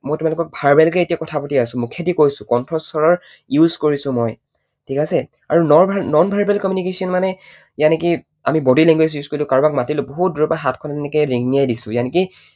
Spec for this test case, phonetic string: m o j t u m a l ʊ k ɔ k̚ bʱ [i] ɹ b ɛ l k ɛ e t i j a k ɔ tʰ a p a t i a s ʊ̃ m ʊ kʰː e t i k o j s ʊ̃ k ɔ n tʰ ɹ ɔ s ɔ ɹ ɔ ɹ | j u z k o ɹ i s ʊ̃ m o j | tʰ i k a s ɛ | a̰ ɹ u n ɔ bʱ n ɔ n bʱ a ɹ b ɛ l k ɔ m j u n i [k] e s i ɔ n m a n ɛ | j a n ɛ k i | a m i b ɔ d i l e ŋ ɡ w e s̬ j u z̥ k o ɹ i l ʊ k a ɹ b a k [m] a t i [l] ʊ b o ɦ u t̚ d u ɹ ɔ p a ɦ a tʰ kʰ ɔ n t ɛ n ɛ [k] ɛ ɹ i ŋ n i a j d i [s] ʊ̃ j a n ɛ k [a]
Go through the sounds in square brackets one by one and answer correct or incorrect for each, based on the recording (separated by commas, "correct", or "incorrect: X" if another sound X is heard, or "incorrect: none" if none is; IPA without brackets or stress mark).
incorrect: a, correct, correct, correct, correct, correct, incorrect: i